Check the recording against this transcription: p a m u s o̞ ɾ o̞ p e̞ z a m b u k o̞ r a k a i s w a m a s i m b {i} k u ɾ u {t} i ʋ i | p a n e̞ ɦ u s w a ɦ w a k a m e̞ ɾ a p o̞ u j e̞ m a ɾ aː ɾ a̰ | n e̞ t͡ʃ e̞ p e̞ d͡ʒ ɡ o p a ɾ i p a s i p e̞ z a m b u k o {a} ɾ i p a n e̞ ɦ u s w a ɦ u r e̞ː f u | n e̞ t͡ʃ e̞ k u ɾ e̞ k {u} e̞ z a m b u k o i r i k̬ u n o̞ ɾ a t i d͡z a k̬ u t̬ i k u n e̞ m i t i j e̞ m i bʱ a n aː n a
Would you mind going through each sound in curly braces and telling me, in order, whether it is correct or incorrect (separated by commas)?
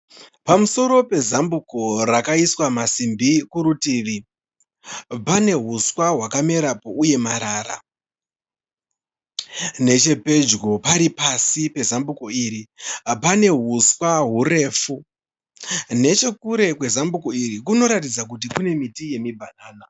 correct, correct, incorrect, incorrect